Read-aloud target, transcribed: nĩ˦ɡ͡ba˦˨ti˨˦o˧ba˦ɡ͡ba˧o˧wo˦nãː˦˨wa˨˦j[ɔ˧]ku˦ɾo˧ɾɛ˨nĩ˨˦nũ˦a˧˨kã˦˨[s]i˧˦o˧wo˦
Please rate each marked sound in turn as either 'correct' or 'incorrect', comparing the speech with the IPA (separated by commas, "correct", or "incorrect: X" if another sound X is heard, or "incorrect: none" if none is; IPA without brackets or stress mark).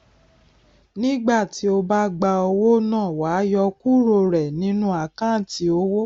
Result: correct, incorrect: t